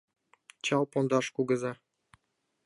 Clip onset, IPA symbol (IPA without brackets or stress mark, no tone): t͡ɕ